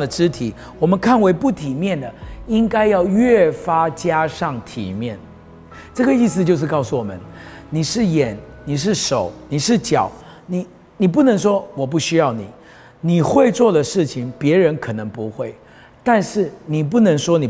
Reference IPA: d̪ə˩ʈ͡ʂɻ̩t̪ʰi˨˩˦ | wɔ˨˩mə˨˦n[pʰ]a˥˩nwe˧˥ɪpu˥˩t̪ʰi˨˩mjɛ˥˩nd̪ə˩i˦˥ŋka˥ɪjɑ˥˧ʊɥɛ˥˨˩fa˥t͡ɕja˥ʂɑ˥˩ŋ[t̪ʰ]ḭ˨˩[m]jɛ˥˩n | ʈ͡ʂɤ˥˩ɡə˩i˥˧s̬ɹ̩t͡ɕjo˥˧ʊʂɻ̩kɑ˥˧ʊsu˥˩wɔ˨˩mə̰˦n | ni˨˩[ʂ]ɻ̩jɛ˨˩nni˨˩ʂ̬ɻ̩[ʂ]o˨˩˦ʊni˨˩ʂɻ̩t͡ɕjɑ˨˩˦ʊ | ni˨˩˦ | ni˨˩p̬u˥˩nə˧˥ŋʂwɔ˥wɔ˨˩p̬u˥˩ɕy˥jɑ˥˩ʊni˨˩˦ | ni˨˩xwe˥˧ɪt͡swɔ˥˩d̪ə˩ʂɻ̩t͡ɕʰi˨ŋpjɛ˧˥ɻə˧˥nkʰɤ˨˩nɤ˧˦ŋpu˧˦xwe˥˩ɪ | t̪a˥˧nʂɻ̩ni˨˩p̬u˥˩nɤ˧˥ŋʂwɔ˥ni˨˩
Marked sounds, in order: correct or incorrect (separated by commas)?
incorrect, correct, correct, correct, correct